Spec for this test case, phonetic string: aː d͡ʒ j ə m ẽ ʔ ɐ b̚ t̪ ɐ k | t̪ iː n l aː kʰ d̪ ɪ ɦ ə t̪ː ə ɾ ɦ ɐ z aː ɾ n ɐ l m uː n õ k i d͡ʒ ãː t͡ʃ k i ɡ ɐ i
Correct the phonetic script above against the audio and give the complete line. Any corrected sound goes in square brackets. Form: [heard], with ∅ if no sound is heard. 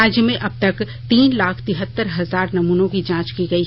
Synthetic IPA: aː d͡ʒ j ə m ẽ ʔ ɐ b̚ t̪ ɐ k | t̪ iː n l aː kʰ [t̪] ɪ ɦ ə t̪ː ə ɾ ɦ ɐ z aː ɾ n ɐ [∅] m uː n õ k i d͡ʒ ãː t͡ʃ k i ɡ ɐ i